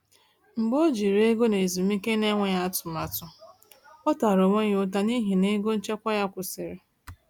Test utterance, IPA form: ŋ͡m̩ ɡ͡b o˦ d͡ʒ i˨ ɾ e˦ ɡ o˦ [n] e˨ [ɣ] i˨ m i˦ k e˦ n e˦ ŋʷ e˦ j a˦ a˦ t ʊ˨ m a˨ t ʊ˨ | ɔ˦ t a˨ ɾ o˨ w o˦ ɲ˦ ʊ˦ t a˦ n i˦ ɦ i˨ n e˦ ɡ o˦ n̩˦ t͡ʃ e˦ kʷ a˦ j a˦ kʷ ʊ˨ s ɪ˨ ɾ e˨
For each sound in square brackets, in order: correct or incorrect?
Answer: correct, incorrect

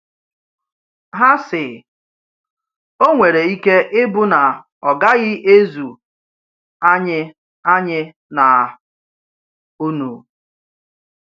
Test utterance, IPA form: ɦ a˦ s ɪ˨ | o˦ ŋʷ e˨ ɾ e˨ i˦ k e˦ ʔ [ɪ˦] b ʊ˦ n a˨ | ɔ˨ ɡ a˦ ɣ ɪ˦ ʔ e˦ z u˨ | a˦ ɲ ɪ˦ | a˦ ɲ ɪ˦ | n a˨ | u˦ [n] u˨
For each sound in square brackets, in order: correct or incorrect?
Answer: correct, correct

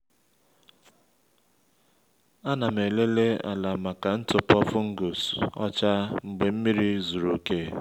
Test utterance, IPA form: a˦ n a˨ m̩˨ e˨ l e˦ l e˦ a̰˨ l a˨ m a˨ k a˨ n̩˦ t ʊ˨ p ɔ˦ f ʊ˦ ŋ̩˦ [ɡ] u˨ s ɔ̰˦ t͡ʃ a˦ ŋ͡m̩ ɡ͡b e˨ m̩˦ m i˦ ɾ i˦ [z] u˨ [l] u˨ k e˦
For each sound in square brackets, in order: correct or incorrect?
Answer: correct, correct, incorrect

